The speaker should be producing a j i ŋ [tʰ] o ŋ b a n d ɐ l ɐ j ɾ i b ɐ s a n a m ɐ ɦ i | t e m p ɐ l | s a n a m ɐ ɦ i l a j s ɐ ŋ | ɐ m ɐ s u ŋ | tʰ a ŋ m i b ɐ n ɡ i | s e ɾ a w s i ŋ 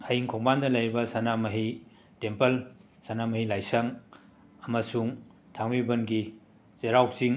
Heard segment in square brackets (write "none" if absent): kʰ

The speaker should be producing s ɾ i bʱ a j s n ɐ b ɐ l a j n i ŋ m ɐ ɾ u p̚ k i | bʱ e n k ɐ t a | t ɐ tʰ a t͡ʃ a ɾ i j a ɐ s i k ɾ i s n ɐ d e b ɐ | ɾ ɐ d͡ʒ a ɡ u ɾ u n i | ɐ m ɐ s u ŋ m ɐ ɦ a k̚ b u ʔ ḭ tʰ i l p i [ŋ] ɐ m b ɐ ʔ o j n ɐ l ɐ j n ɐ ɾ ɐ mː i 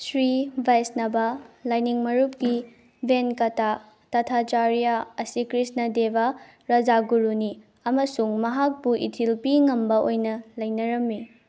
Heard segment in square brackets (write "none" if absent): ŋ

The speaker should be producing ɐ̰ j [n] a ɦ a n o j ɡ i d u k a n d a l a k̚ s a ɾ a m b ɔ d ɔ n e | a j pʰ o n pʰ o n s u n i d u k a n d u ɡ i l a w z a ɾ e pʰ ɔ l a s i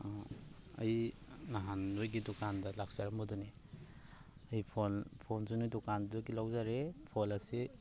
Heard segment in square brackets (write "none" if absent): n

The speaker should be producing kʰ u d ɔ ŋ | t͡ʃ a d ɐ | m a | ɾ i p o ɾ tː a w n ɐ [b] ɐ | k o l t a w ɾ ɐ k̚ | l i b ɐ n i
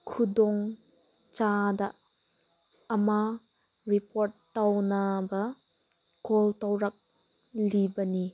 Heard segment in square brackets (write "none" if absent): b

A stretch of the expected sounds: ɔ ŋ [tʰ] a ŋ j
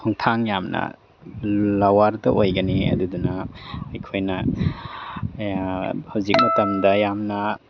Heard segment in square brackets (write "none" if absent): tʰ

